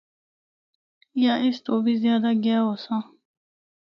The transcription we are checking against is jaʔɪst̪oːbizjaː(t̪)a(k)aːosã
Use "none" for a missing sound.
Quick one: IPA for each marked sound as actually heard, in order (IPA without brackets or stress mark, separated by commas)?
d̪, ɡ